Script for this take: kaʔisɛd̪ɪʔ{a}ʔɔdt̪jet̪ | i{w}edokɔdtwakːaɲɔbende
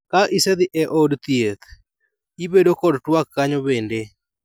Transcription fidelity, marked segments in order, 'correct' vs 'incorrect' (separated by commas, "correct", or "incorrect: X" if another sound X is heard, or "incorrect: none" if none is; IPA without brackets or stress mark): incorrect: ɛ, incorrect: b